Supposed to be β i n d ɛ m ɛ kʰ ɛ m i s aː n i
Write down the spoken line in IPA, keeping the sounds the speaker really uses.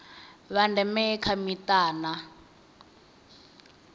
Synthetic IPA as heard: β a n d ɛ m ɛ kʰ a m i t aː n a